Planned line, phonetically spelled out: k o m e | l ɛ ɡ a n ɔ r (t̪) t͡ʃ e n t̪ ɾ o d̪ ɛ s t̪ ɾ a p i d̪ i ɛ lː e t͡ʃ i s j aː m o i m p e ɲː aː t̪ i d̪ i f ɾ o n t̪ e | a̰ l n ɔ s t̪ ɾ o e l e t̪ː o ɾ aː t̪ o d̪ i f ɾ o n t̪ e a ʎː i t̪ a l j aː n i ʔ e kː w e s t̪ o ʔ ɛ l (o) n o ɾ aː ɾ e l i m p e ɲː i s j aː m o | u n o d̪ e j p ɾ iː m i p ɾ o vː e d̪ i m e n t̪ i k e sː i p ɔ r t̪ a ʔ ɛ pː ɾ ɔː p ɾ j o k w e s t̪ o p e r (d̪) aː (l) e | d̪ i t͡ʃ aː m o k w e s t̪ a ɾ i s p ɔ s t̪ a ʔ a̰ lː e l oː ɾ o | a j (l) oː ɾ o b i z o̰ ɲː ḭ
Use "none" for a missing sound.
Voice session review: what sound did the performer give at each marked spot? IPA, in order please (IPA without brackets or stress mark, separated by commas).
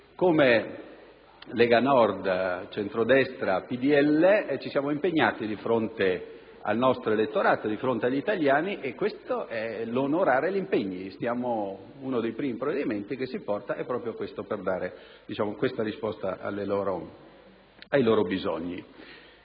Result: d̪, o, d̪, ɾ, l